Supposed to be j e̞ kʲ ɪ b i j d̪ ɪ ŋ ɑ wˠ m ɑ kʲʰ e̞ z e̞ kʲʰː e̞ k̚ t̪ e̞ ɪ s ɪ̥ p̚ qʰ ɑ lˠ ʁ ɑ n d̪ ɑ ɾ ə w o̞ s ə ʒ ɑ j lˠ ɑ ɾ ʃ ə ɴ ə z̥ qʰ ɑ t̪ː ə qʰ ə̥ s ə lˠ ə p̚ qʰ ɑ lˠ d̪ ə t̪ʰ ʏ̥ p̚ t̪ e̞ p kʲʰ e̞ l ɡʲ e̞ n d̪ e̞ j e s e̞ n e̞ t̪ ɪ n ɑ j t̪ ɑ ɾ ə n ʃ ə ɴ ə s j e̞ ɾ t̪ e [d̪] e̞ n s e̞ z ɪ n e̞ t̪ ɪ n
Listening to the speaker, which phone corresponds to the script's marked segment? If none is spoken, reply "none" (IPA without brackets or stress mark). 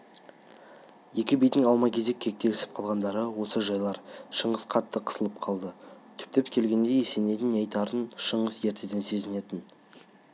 d̪